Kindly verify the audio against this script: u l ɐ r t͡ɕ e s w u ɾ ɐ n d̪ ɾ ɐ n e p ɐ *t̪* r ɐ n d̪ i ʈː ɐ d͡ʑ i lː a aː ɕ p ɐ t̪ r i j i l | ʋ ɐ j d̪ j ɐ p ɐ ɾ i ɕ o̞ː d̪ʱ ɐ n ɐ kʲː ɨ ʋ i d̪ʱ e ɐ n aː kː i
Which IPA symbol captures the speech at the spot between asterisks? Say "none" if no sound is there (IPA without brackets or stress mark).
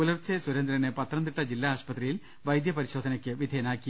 t̪